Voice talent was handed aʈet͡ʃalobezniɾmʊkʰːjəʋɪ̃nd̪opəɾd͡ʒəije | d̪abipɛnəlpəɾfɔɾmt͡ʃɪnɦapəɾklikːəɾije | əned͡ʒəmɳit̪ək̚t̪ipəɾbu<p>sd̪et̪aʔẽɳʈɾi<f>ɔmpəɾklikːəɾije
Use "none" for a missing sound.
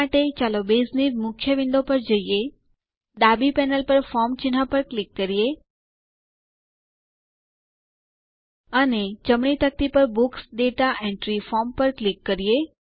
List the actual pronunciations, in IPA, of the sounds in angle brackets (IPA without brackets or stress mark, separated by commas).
k, f